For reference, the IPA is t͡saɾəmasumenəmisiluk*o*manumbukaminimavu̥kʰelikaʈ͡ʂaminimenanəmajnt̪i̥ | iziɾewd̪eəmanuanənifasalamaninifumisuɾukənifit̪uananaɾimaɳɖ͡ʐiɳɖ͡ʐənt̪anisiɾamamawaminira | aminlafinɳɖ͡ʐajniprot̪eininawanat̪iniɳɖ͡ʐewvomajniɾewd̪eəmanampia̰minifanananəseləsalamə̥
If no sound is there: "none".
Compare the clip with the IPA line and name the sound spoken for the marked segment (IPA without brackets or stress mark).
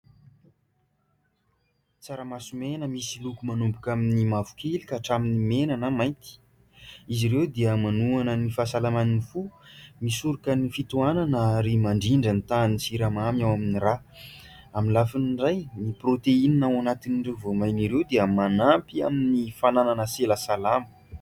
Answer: u